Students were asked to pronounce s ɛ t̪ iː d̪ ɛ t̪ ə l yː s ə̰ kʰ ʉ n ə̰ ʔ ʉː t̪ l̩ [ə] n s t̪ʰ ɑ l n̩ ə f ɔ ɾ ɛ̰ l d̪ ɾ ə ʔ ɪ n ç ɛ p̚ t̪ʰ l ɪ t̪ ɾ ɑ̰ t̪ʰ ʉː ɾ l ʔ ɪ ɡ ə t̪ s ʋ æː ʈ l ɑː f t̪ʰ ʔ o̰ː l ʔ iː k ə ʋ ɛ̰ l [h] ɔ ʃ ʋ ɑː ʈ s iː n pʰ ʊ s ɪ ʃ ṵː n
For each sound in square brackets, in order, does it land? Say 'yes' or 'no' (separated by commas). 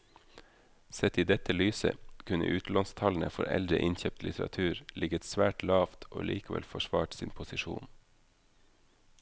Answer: no, no